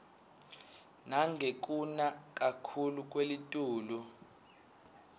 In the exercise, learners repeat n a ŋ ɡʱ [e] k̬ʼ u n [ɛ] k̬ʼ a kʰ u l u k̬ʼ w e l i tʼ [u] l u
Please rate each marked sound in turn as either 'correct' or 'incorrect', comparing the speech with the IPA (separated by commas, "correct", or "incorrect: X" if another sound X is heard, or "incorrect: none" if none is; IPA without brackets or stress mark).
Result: correct, incorrect: a, incorrect: uː